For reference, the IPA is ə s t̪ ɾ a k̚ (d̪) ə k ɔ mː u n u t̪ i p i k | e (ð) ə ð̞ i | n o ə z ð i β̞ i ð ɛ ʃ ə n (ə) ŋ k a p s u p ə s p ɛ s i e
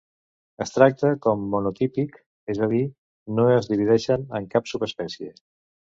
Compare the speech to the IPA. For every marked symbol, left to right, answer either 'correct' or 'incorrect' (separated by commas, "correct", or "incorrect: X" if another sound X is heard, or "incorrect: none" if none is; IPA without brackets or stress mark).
incorrect: t̪, incorrect: z, correct